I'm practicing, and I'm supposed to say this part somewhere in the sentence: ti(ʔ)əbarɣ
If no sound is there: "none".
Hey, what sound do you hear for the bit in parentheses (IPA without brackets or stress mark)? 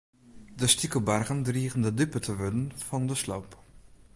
k